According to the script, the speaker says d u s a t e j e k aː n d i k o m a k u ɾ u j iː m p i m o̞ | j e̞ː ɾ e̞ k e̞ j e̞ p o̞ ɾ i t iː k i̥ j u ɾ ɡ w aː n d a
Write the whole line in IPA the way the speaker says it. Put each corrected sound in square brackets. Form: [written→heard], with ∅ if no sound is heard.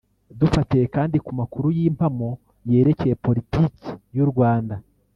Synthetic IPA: d u [s→f] a t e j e k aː n d i k [o→u] m a k u ɾ u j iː m p [i→a] m o̞ | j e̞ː ɾ e̞ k e̞ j e̞ p o̞ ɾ i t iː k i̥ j u ɾ ɡ w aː n d a